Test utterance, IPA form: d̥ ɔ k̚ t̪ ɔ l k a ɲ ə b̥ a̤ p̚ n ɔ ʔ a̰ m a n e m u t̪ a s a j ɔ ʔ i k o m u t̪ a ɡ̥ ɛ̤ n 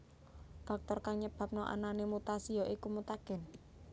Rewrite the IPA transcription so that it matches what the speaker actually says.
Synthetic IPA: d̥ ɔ k̚ t̪ ɔ r k a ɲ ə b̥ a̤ p̚ n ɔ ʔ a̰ n a n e m u t̪ a s i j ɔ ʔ i k u m u t̪ a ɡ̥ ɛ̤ n

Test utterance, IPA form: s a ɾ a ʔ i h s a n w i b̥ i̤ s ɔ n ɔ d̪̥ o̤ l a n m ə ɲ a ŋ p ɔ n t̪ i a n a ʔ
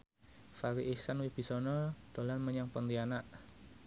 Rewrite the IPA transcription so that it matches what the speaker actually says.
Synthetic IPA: f a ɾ i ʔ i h s a n w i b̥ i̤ s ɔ n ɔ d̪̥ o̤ l a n m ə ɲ a ŋ p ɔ n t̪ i a n a ʔ

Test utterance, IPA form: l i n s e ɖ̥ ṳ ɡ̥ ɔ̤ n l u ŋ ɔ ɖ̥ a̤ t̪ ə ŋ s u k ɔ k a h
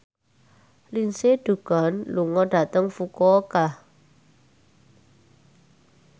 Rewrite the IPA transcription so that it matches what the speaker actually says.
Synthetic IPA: l i n s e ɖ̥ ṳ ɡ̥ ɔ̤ n l u ŋ ɔ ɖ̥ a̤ t̪ ə ŋ f u k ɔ k a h

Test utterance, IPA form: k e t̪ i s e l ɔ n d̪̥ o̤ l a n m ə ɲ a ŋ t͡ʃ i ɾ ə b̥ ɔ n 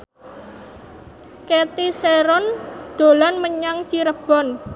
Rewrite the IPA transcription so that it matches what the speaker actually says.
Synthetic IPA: k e t̪ i s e ɾ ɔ n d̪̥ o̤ l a n m ə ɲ a ŋ t͡ʃ i ɾ ə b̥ ɔ n

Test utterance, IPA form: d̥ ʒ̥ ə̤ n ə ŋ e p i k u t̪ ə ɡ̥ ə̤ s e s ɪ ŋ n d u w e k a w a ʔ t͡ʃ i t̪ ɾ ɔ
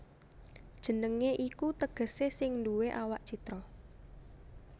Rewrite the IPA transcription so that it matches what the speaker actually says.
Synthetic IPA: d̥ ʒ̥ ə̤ n ə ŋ e ʔ i k u t̪ ə ɡ̥ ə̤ s e s ɪ ŋ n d u w e ʔ a w a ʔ t͡ʃ i t̪ ɾ ɔ

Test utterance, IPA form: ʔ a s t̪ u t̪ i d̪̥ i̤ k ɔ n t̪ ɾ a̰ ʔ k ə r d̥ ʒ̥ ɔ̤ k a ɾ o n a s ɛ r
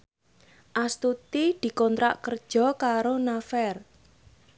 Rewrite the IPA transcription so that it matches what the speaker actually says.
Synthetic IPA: ʔ a s t̪ u t̪ i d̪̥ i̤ k ɔ n t̪ ɾ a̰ ʔ k ə r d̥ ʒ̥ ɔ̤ k a ɾ o n a f ɛ r

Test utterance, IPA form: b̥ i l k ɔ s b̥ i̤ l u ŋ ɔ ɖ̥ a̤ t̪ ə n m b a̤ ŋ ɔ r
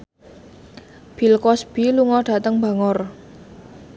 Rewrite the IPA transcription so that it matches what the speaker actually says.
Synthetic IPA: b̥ i l k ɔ s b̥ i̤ l u ŋ ɔ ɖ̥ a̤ t̪ ə ŋ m b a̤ ŋ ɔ r

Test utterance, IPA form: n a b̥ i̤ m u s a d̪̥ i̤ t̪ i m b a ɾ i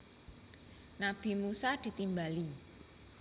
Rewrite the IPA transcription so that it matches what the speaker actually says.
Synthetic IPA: n a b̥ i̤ m u s a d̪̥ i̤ t̪ i m b a l i

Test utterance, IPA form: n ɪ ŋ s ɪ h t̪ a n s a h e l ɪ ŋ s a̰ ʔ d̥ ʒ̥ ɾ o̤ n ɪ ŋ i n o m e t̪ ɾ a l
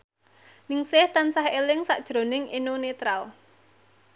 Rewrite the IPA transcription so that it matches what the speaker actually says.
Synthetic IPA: n ɪ ŋ s ɪ h t̪ a n s a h e l ɪ ŋ s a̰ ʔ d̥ ʒ̥ ɾ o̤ n ɪ ŋ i n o n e t̪ ɾ a l

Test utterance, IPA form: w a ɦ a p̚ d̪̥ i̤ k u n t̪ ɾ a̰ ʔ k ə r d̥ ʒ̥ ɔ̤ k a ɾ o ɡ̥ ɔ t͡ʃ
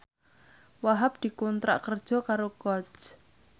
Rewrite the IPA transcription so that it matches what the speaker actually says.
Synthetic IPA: w a ɦ a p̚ d̪̥ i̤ k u n t̪ ɾ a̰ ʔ k ə r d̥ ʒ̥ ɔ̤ k a ɾ o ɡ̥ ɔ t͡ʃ

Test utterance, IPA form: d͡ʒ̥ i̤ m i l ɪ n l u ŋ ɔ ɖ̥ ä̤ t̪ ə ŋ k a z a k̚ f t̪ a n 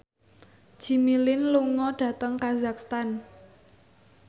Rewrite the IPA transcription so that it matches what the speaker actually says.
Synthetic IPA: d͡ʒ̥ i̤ m i l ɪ n l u ŋ ɔ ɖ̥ ä̤ t̪ ə ŋ k a z a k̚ s t̪ a n

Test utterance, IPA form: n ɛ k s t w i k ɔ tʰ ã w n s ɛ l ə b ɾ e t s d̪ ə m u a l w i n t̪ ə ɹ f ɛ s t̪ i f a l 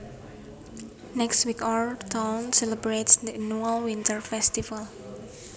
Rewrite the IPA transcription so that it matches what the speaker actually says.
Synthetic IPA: n ɛ k s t w i k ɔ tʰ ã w n s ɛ l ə b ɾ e t s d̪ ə n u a l w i n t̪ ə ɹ f ɛ s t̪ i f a l

